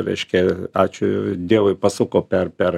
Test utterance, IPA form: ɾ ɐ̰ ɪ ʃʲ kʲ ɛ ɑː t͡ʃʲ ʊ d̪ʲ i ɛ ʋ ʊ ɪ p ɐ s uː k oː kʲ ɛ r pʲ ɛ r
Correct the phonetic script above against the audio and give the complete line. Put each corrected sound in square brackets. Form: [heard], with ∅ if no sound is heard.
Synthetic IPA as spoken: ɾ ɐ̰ ɪ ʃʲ kʲ ɛ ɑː t͡ʃʲ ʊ d̪ʲ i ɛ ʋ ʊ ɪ p ɐ s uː k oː [pʲ] ɛ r pʲ ɛ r

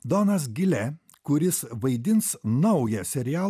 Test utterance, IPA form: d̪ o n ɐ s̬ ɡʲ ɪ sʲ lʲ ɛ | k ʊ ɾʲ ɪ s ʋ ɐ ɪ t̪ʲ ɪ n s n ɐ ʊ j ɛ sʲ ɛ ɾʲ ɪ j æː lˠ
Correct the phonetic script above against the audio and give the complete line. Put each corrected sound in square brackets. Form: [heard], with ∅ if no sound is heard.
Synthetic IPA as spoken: d̪ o n ɐ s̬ ɡʲ ɪ [∅] lʲ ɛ | k ʊ ɾʲ ɪ s ʋ ɐ ɪ [d̪ʲ] ɪ n s n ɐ ʊ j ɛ sʲ ɛ ɾʲ ɪ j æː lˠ

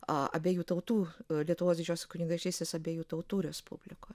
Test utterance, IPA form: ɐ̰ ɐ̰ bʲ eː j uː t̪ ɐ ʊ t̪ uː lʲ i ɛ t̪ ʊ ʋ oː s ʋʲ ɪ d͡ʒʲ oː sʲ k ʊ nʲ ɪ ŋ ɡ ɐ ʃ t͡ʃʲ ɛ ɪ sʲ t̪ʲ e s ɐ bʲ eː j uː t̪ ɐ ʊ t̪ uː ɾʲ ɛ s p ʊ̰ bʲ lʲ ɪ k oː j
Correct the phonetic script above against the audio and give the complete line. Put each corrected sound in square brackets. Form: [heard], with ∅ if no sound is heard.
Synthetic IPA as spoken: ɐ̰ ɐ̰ bʲ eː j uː t̪ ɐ ʊ t̪ uː lʲ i ɛ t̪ ʊ ʋ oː s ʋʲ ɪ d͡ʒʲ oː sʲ k ʊ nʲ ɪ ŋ ɡ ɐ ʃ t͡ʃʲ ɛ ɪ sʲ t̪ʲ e s ɐ bʲ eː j uː t̪ ɐ ʊ t̪ uː ɾʲ ɛ s p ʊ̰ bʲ lʲ ɪ k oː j

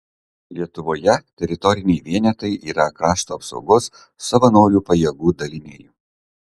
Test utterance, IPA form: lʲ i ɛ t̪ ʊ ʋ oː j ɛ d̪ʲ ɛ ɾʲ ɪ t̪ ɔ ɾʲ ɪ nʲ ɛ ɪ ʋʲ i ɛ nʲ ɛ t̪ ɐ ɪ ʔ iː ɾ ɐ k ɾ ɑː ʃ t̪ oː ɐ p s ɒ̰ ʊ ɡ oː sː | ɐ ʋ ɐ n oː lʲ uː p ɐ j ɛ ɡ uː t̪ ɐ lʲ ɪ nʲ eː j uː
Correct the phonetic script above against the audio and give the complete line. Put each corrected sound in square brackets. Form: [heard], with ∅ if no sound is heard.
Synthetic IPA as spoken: lʲ i ɛ t̪ ʊ ʋ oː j ɛ [t̪ʲ] ɛ ɾʲ ɪ t̪ ɔ ɾʲ ɪ nʲ ɛ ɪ ʋʲ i ɛ nʲ ɛ t̪ ɐ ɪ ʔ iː ɾ ɐ k ɾ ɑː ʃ t̪ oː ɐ p s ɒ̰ ʊ ɡ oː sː | ɐ ʋ ɐ n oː [ɾʲ] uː p ɐ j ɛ ɡ uː [d̪] ɐ lʲ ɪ nʲ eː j uː

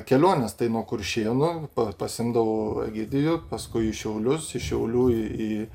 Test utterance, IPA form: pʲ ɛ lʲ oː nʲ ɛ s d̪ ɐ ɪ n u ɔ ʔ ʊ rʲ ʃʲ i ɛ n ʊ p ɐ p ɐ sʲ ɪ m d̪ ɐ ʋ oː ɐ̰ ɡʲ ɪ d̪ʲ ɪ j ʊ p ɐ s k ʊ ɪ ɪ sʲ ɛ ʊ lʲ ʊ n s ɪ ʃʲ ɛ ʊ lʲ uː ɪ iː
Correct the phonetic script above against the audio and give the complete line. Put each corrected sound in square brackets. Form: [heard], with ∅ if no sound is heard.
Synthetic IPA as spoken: [kʲ] ɛ lʲ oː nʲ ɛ s [t̪] ɐ ɪ n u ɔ [k] ʊ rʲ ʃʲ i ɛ n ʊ p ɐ p ɐ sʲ ɪ m d̪ ɐ ʋ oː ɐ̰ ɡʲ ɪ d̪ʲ ɪ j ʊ p ɐ s k ʊ ɪ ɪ [ʃʲ] ɛ ʊ lʲ ʊ [∅] s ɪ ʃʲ ɛ ʊ lʲ uː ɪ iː

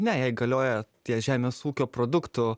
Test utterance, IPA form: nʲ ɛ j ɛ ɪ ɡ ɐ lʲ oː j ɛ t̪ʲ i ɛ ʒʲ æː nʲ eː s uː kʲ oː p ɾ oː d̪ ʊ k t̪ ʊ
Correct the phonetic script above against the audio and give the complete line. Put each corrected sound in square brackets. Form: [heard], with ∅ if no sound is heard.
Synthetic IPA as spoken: nʲ ɛ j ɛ ɪ ɡ ɐ lʲ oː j ɛ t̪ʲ i ɛ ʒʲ æː [mʲ] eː s uː kʲ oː p ɾ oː d̪ ʊ k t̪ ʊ

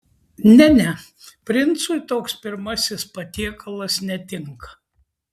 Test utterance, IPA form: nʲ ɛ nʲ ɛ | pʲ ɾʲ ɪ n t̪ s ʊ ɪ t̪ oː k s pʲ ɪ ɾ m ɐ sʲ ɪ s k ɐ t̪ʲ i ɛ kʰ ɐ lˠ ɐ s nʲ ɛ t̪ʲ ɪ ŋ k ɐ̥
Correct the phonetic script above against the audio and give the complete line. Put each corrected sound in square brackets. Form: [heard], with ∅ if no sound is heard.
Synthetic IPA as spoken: nʲ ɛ nʲ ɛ | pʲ ɾʲ ɪ n t̪ s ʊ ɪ t̪ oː k s pʲ ɪ ɾ m ɐ sʲ ɪ s [p] ɐ t̪ʲ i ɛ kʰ ɐ lˠ ɐ s nʲ ɛ t̪ʲ ɪ ŋ k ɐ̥

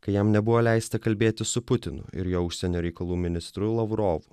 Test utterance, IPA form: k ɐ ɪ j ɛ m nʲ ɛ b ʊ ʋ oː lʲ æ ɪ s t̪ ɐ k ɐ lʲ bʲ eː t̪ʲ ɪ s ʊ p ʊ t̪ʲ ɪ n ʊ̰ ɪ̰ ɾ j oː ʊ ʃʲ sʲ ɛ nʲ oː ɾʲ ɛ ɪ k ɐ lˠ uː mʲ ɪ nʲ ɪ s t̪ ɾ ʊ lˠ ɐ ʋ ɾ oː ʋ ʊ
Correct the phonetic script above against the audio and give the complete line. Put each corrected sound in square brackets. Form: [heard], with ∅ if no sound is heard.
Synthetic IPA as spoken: k ɐ ɪ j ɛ m nʲ ɛ b ʊ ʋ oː lʲ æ ɪ s t̪ ɐ k ɐ lʲ bʲ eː t̪ʲ ɪ s ʊ p ʊ t̪ʲ ɪ n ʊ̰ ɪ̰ ɾ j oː ʊ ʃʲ sʲ ɛ nʲ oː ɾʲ ɛ ɪ k ɐ lˠ uː mʲ ɪ nʲ ɪ s t̪ ɾ ʊ lˠ ɐ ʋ ɾ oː ʋ ʊ

